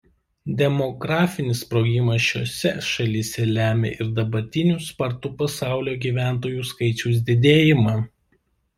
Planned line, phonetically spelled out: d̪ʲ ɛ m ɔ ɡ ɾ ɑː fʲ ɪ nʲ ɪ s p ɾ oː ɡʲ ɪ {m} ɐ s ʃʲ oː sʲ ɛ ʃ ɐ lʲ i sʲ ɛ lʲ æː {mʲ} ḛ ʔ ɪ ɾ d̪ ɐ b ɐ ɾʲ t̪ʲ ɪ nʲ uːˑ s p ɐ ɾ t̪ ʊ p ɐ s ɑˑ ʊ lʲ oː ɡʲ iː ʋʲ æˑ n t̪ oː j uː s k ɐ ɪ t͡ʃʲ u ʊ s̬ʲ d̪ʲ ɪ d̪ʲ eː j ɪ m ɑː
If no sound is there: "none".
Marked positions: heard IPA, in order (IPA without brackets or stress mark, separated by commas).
m, mʲ